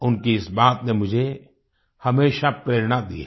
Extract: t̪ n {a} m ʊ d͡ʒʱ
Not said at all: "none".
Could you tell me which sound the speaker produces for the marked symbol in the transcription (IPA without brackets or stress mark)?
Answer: e